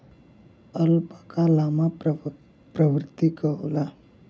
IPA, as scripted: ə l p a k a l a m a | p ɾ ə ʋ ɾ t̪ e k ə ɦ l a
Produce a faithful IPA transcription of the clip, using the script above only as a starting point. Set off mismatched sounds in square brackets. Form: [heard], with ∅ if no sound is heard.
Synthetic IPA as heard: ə l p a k a l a m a | p ɾ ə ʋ ɾ t̪ [i] k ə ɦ l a